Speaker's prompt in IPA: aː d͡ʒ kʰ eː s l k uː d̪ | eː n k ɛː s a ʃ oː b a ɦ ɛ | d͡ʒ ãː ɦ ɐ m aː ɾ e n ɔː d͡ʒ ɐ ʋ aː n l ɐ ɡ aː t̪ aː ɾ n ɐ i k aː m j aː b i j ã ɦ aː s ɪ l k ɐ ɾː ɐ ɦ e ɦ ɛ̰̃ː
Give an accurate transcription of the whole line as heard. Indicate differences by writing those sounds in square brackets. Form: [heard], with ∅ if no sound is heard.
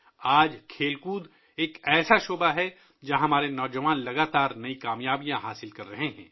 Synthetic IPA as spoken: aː d͡ʒ kʰ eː [∅] l k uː d̪ | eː [∅] k ɛː s a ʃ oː b a ɦ ɛ | d͡ʒ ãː ɦ ɐ m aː ɾ e n ɔː d͡ʒ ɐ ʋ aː n l ɐ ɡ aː t̪ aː ɾ n ɐ i k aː m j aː b i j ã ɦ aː s ɪ l k ɐ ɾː ɐ ɦ e ɦ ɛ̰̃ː